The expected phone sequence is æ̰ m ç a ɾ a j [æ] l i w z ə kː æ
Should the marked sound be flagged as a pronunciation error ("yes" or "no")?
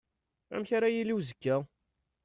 yes